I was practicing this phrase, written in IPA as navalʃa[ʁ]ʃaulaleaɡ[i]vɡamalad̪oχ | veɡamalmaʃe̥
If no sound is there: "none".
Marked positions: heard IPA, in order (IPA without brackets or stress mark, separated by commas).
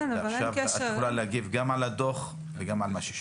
v, i